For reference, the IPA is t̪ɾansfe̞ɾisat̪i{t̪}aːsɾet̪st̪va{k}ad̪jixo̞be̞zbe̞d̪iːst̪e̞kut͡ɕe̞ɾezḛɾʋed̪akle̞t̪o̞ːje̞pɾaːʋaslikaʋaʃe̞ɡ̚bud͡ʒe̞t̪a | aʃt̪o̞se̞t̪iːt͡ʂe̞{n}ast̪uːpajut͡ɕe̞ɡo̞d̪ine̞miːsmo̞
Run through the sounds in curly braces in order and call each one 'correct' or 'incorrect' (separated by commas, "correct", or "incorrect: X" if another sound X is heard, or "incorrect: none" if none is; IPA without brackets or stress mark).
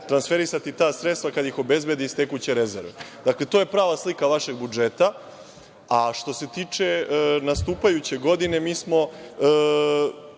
correct, correct, correct